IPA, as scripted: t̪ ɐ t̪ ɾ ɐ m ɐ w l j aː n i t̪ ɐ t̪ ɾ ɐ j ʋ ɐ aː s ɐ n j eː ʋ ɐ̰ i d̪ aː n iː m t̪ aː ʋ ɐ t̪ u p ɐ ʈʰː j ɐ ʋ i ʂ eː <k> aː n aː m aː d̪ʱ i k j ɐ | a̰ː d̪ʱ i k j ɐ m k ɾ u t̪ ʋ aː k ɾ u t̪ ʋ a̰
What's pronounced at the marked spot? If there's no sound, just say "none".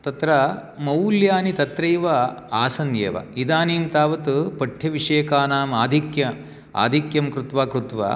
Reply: k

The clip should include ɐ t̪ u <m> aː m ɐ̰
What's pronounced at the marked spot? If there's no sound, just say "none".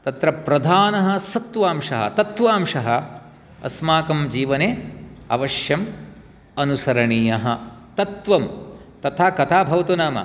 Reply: n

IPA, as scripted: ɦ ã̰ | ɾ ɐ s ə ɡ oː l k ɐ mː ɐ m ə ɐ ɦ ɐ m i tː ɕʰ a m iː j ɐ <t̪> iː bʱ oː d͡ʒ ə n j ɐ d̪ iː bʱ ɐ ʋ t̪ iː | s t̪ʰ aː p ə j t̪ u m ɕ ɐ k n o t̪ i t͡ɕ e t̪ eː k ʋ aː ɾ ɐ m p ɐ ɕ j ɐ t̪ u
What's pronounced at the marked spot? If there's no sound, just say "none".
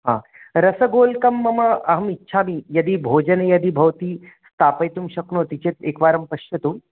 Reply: d̪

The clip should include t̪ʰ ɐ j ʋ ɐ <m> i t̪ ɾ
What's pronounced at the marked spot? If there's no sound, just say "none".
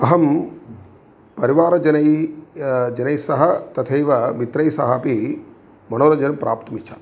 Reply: m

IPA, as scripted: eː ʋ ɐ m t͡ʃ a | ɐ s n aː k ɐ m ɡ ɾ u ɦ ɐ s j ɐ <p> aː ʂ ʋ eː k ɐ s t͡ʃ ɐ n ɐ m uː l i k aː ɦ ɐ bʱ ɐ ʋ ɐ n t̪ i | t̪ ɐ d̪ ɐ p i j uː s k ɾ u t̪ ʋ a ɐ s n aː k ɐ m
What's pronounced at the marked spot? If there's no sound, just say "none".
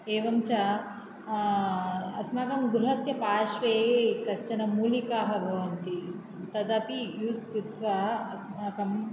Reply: p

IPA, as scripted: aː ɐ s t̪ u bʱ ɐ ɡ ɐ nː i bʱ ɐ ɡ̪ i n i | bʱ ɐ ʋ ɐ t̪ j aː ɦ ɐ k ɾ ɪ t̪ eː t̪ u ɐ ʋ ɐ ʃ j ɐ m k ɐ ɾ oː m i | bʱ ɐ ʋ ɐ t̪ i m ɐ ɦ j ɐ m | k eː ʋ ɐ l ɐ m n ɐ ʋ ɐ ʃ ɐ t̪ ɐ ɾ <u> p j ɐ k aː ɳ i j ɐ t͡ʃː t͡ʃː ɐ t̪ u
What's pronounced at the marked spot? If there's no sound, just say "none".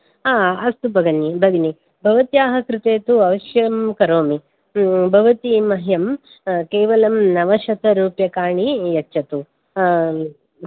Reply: uː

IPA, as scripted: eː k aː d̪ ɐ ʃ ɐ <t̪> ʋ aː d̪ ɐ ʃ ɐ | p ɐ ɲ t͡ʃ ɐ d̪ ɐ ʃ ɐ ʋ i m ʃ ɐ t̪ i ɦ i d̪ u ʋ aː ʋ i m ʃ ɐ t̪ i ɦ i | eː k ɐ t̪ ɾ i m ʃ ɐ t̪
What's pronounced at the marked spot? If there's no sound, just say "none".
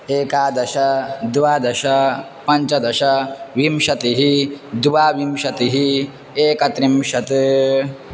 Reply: d̪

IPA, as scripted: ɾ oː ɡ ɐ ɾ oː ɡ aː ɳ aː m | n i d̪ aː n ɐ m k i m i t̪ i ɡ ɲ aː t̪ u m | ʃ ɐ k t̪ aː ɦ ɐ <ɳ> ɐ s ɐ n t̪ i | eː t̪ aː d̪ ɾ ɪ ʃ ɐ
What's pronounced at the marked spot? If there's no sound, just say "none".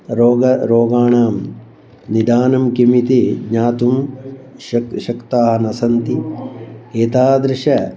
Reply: n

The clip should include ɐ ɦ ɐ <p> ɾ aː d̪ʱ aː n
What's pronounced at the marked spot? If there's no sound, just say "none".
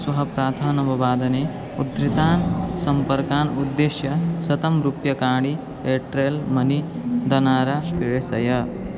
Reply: p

